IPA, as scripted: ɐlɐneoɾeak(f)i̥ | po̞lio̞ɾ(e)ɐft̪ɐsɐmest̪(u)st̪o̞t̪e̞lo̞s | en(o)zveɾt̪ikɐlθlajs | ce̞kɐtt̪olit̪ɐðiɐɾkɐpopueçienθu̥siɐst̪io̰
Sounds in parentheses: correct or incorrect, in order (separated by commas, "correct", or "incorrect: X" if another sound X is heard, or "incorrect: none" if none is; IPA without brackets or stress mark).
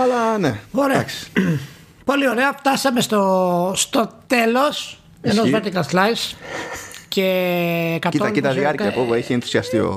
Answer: incorrect: s, correct, incorrect: o, correct